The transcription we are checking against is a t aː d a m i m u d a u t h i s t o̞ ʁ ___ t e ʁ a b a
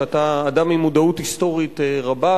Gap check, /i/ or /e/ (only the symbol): i